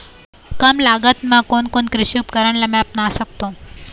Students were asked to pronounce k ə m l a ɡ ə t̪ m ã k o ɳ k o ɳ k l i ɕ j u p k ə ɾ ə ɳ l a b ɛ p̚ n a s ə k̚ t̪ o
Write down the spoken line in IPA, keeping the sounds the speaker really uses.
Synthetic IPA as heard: k ə m l a ɡ ə t̪ m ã k o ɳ k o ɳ k ɾ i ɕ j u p k ə ɾ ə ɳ l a m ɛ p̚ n a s ə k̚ t̪ o